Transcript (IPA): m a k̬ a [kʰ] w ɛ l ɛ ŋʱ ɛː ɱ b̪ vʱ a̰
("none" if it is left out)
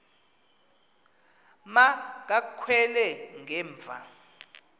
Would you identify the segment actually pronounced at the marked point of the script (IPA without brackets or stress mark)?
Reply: kʰ